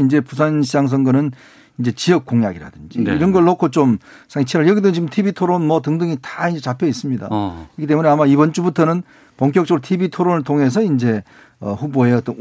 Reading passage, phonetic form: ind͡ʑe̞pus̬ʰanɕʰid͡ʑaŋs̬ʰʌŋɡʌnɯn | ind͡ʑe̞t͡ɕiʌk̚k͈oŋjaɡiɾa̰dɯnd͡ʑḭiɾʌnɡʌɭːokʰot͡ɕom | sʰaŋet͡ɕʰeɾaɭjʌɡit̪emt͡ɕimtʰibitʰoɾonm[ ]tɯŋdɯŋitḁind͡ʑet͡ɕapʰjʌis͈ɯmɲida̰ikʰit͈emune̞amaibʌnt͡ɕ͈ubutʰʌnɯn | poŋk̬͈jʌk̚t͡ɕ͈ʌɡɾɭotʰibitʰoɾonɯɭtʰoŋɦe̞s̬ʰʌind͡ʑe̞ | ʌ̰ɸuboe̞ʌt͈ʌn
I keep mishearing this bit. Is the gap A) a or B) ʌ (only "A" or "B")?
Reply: B